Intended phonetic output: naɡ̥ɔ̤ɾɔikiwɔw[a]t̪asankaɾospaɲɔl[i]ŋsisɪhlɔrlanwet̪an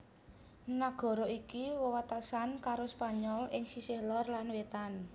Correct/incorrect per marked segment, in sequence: correct, incorrect: ɪ

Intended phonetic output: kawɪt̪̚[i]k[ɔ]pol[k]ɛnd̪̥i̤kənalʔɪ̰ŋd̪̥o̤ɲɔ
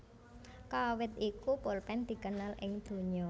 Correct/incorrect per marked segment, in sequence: correct, incorrect: u, incorrect: p

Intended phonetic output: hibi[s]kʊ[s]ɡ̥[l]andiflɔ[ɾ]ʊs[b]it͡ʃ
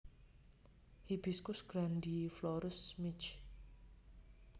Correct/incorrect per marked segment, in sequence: correct, correct, incorrect: ɾ, correct, incorrect: m

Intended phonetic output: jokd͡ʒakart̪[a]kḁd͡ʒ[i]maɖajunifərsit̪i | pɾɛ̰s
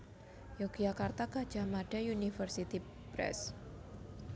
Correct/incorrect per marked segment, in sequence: correct, incorrect: a

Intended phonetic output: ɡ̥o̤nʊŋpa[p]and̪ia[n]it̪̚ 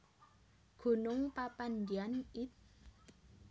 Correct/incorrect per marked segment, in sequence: correct, correct

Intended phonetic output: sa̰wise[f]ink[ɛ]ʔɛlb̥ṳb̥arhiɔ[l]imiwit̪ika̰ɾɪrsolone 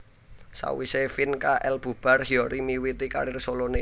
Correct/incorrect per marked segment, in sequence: correct, incorrect: a, incorrect: ɾ

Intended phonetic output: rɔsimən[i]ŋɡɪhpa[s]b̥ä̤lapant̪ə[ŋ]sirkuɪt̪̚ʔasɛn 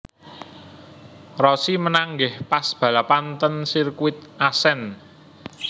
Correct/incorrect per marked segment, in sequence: incorrect: a, correct, incorrect: n

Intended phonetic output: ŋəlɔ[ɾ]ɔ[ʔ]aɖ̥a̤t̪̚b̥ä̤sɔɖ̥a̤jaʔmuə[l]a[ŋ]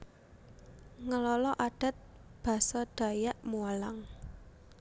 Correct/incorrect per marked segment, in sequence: incorrect: l, correct, correct, correct

